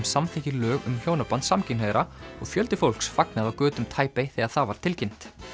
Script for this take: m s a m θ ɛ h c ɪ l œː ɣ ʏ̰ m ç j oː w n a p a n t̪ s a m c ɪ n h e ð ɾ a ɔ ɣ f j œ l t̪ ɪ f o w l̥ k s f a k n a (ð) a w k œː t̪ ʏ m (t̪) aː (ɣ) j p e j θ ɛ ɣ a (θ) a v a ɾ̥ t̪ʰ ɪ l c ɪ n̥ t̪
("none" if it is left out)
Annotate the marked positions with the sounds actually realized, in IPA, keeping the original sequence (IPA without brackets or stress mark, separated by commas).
ð, t̪ʰ, none, θ